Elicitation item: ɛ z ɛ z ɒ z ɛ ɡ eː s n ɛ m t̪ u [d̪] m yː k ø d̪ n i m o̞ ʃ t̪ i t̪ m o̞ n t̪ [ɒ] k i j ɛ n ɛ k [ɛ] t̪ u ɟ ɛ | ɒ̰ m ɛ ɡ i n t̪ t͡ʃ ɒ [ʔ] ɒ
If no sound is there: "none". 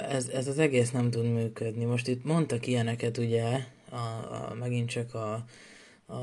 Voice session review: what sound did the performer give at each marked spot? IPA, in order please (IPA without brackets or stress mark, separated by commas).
d̪, ɒ, ɛ, k